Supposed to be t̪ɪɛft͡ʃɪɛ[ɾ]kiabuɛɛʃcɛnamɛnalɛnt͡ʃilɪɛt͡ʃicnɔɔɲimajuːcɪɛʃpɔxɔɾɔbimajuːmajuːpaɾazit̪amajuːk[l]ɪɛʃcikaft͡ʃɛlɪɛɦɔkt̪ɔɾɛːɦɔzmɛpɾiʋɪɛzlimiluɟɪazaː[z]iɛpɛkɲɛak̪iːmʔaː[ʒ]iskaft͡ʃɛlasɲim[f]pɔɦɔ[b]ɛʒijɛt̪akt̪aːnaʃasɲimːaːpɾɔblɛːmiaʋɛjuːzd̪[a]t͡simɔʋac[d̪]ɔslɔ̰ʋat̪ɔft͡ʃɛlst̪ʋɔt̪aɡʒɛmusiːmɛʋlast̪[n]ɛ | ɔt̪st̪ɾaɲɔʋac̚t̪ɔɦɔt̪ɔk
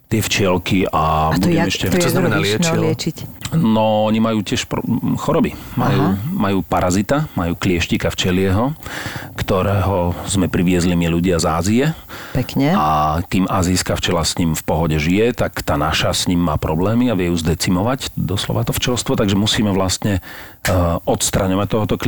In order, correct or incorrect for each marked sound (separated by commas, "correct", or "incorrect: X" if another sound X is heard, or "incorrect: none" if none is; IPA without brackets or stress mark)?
incorrect: l, correct, correct, incorrect: z, correct, incorrect: ɟ, incorrect: ɛ, correct, incorrect: ɲ